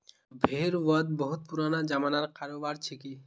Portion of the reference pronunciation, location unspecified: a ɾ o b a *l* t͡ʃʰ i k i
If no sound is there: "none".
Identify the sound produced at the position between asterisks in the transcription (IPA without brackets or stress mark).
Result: ɾ